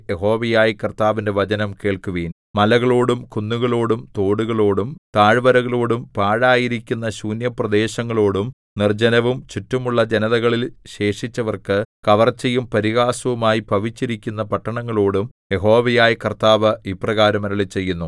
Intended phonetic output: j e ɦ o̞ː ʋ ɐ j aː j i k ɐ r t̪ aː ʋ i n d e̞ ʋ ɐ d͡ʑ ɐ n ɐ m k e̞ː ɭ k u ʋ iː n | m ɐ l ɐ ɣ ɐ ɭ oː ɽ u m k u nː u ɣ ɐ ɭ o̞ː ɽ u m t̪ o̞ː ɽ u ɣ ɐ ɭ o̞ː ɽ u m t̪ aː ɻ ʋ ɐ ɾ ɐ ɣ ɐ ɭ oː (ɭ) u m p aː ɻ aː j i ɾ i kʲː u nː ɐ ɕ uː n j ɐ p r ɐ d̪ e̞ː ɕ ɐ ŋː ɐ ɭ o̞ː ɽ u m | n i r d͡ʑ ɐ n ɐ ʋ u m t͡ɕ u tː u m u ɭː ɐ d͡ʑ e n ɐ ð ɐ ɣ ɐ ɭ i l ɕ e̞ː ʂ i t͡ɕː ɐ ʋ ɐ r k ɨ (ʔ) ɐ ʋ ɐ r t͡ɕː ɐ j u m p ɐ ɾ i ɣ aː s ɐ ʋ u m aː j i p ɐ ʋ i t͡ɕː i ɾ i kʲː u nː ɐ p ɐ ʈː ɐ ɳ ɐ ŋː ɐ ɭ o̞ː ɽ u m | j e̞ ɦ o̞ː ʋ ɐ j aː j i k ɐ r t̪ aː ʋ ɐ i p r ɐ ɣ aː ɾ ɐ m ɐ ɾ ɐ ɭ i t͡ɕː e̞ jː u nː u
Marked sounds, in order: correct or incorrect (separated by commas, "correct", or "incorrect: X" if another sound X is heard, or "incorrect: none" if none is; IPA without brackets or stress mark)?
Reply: incorrect: ɽ, incorrect: k